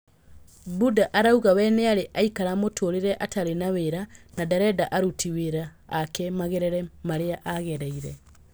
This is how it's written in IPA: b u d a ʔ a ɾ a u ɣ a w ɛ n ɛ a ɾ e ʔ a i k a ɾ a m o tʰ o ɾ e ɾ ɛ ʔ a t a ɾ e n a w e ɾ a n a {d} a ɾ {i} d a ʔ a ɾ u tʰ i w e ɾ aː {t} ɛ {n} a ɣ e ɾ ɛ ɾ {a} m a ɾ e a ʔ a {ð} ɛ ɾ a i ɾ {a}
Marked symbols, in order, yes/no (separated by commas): yes, no, no, no, no, no, no